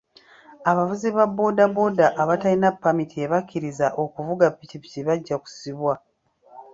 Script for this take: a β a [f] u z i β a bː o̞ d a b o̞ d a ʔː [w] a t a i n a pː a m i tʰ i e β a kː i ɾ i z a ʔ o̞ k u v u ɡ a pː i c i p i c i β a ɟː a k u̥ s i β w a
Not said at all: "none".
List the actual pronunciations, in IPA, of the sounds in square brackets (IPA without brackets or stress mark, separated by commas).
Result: v, β